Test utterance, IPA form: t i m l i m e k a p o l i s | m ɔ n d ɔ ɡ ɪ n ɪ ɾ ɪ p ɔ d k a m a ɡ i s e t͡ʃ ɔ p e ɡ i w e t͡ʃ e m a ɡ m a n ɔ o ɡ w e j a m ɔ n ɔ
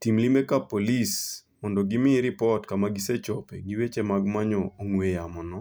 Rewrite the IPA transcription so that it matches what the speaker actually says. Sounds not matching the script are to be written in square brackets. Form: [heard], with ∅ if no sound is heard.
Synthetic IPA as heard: t i m l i m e k a p o l i s | m ɔ n d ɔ ɡ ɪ [m] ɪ ɾ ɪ p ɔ [t] k a m a ɡ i s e t͡ʃ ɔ p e ɡ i w e t͡ʃ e m a ɡ m a [ɲ] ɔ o [ŋ] w e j a m ɔ n ɔ